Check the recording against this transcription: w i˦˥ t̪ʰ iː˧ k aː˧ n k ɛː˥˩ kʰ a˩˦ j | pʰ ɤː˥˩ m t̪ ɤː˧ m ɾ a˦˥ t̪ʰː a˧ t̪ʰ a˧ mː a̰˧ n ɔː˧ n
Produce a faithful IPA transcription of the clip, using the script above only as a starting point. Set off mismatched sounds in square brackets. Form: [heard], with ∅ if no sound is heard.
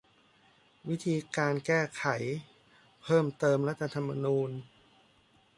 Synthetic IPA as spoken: w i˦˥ t̪ʰ iː˧ k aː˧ n k ɛː˥˩ kʰ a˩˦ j | pʰ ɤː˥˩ m t̪ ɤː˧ m ɾ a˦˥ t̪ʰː a˧ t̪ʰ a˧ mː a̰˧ n [uː˧] n